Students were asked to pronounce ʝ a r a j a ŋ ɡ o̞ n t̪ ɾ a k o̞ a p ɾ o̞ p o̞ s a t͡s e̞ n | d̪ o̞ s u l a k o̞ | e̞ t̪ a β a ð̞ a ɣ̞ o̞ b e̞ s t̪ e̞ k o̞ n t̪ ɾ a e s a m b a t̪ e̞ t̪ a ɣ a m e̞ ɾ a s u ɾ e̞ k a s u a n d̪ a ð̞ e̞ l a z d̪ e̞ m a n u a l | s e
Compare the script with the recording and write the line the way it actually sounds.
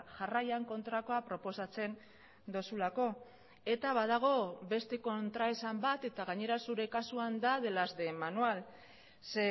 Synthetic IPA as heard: ʝ a r a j a ŋ k o̞ n t̪ ɾ a k o̞ a p ɾ o̞ p o̞ s a t͡s e̞ n | d̪ o̞ s u l a k o̞ | e̞ t̪ a β a ð̞ a ɣ̞ o̞ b e̞ s t̪ e̞ k o̞ n t̪ ɾ a e s a m b a t̪ e̞ t̪ a ɣ a ɲ e̞ ɾ a s u ɾ e̞ k a s u a n d̪ a ð̞ e̞ l a z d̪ e̞ m a n u a l | s e